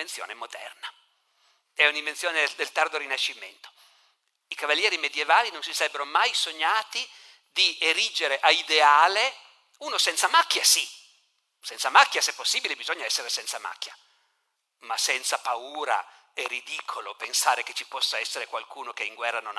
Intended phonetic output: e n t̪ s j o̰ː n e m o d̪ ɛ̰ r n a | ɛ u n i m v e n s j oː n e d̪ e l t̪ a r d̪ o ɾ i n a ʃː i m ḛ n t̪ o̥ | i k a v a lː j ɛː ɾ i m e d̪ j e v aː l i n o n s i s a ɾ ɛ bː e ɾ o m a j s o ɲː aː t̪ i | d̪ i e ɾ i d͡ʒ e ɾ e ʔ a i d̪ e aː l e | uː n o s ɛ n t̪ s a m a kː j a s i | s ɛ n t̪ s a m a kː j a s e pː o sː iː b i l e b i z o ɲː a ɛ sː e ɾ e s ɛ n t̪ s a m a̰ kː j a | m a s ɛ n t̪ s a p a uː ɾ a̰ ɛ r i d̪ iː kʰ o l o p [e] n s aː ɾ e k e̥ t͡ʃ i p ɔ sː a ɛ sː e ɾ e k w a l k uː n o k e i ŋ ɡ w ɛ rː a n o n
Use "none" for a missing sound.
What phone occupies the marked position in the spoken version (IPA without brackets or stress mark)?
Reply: e